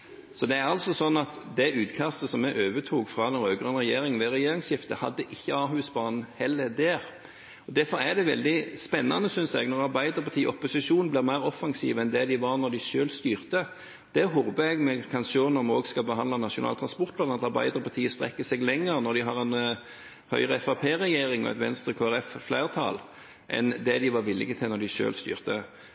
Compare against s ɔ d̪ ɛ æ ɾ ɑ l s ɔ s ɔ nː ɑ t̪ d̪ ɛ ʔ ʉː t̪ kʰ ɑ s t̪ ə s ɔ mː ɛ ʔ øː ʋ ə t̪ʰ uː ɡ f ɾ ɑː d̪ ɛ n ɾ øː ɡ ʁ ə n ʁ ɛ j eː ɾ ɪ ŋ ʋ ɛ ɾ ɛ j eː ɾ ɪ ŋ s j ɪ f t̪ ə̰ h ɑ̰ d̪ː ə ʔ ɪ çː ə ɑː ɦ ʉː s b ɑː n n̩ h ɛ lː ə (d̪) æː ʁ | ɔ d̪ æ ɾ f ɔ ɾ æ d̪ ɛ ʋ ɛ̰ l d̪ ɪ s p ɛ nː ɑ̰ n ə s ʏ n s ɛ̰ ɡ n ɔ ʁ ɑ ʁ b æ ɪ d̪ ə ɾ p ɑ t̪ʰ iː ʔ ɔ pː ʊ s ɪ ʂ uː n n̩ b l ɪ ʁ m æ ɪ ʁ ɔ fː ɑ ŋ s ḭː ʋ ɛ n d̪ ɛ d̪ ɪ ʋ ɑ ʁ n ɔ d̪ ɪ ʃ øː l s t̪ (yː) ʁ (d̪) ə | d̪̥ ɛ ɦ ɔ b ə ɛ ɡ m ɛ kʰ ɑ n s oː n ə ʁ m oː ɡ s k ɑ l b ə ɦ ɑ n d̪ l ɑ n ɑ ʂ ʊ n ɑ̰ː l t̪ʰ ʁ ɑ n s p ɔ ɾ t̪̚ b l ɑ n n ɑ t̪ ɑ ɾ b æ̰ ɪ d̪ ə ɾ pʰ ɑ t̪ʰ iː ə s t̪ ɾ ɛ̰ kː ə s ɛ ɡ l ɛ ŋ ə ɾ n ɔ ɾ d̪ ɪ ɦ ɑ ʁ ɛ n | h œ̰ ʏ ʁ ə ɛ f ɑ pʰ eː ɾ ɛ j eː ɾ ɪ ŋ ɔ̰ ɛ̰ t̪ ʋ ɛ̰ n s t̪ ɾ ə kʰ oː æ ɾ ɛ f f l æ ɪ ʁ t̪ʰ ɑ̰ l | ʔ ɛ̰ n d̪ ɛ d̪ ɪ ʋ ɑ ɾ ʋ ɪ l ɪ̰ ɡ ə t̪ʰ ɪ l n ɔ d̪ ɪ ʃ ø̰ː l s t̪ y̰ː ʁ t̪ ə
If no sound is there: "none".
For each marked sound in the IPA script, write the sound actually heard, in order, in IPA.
d̪, yː, t̪

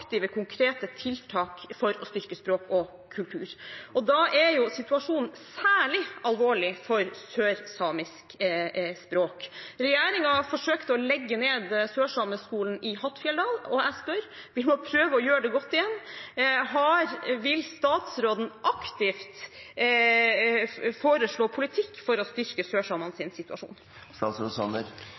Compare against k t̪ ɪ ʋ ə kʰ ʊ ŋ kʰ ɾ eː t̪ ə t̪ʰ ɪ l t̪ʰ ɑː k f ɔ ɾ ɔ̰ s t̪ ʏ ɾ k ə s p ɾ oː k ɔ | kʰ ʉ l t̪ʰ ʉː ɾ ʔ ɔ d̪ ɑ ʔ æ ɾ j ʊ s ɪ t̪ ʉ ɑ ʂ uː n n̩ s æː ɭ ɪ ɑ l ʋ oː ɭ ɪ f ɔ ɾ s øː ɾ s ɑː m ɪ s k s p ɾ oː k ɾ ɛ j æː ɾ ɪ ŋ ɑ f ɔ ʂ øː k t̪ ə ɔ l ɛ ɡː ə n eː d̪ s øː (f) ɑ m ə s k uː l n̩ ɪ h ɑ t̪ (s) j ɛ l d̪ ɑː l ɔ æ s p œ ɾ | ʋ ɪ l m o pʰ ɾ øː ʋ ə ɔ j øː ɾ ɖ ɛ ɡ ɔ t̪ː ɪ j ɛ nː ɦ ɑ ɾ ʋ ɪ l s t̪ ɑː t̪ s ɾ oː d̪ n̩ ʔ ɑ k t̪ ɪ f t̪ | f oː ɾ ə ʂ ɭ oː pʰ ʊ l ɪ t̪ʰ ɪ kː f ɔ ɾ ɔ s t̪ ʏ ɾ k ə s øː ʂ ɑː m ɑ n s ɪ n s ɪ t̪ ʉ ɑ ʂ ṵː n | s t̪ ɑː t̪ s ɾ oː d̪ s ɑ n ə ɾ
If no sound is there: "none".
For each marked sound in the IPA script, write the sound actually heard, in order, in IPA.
ʂ, f

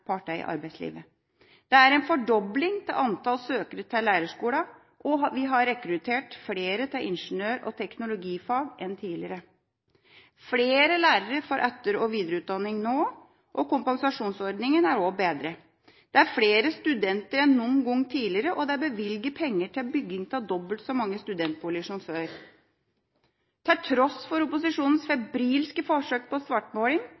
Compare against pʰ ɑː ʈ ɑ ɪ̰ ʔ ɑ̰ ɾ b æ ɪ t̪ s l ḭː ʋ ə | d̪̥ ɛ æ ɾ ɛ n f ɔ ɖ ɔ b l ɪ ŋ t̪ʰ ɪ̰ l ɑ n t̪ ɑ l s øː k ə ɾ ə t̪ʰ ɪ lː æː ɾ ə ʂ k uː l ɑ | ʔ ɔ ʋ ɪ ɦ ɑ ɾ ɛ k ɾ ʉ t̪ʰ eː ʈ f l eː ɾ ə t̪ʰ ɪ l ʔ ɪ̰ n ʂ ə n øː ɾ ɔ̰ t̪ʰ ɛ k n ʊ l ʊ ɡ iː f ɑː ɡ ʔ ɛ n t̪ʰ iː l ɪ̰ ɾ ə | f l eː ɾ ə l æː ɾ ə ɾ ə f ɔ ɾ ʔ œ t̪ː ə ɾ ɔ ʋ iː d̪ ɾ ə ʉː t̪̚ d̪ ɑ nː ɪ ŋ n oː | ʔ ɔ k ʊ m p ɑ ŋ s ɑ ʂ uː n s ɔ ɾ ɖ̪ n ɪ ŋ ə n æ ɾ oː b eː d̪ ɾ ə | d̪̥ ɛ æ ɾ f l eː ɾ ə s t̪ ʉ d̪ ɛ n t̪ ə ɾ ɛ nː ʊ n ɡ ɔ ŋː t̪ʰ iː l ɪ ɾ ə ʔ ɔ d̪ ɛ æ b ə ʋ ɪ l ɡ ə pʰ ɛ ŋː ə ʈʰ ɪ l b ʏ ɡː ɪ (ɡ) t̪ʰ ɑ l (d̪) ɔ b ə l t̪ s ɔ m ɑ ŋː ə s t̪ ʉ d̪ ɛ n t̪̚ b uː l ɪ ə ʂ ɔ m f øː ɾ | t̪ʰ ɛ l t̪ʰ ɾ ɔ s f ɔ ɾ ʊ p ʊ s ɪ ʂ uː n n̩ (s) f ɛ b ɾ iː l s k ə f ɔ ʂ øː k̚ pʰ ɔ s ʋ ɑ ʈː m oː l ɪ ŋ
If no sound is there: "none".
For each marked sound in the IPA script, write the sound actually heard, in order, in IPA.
ŋ, d̪, s

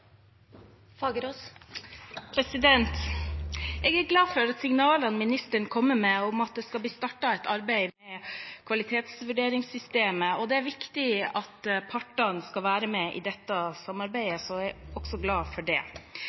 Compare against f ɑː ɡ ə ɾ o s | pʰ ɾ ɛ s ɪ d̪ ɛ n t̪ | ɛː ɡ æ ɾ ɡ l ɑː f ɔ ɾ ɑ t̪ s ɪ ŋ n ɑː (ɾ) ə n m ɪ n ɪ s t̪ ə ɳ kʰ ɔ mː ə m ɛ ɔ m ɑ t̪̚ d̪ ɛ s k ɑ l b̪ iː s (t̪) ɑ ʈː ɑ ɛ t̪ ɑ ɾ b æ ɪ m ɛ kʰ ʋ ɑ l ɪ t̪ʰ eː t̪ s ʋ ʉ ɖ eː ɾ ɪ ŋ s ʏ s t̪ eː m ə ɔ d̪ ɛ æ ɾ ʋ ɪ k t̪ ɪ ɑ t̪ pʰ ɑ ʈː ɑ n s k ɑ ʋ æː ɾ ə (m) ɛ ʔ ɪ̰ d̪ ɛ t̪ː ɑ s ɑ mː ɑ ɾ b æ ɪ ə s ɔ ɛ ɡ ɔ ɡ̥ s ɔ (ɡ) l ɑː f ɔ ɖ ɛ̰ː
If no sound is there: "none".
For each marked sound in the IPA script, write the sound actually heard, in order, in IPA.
l, t̪, m, ɡ

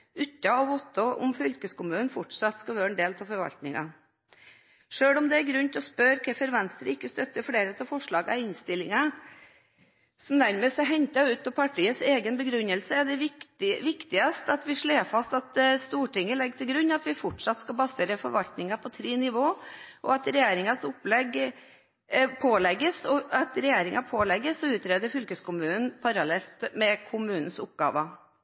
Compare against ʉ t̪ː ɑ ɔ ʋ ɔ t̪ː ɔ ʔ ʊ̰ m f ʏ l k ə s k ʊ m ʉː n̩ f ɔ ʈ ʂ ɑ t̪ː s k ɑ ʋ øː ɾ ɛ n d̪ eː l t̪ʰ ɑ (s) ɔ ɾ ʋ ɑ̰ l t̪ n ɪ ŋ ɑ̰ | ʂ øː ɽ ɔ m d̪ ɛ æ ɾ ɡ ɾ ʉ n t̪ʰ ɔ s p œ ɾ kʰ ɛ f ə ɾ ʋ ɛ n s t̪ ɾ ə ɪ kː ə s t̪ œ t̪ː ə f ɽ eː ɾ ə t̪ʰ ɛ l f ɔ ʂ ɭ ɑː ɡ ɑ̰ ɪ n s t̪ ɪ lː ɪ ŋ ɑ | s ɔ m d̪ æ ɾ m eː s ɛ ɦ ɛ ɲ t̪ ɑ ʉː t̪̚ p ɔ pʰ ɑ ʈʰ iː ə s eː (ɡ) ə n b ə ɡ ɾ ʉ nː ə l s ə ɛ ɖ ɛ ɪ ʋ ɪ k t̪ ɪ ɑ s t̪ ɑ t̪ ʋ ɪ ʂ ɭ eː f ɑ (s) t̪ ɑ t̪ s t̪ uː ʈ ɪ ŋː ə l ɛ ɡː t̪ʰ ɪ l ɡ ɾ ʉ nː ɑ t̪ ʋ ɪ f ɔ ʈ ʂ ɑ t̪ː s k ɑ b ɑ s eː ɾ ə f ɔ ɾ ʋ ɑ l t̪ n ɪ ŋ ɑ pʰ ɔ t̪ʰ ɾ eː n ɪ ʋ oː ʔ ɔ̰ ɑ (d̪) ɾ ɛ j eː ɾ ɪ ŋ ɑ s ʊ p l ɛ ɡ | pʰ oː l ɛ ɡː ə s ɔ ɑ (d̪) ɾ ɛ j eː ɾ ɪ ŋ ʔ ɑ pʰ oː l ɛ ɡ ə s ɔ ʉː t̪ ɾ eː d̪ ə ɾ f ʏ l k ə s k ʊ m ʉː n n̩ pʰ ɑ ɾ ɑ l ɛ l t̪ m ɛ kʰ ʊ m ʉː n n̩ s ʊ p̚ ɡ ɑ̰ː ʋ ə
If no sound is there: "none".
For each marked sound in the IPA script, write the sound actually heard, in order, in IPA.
f, ɡ, s, t̪, t̪

